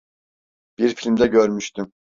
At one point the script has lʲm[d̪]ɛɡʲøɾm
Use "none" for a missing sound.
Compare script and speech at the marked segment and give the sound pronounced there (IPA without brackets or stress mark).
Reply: d̪